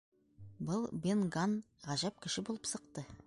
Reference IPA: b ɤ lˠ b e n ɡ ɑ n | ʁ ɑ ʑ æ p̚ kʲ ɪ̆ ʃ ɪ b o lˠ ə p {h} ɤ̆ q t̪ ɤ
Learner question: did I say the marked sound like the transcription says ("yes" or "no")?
no